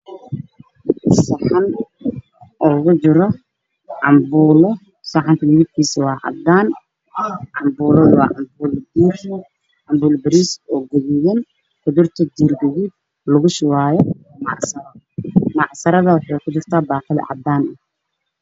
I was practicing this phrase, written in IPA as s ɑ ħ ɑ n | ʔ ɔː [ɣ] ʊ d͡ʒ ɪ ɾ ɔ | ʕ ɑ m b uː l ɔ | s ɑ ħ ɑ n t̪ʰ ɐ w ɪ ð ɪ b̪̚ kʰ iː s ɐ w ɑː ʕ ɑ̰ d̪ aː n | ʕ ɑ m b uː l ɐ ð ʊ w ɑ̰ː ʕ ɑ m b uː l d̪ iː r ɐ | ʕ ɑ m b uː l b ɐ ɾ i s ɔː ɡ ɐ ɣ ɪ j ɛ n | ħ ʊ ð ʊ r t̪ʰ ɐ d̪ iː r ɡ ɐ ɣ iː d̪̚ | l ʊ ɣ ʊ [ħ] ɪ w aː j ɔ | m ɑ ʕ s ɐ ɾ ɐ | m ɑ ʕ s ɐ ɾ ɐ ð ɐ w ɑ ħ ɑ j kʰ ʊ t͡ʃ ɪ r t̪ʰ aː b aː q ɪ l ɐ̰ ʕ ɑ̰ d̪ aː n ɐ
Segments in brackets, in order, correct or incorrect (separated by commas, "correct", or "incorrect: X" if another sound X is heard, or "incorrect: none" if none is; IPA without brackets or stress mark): correct, incorrect: ʃ